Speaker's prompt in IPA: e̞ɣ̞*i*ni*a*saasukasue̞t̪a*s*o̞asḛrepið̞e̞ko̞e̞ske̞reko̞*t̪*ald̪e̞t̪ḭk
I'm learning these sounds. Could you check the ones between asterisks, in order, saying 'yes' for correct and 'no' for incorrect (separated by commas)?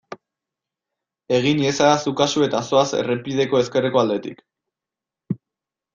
yes, no, yes, no